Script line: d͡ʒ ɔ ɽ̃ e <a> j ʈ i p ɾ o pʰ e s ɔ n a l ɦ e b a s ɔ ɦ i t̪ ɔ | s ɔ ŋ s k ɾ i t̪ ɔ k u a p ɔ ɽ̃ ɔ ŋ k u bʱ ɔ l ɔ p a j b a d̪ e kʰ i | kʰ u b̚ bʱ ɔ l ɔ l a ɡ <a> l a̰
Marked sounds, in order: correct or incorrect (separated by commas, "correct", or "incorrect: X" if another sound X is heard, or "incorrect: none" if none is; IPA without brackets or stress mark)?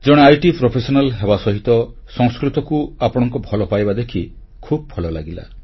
correct, incorrect: i